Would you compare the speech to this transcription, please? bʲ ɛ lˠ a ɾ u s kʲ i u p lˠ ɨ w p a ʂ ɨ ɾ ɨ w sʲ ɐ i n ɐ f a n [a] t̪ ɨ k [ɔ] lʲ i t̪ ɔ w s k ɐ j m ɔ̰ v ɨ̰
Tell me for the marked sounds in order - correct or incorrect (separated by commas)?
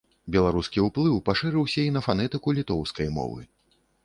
incorrect, incorrect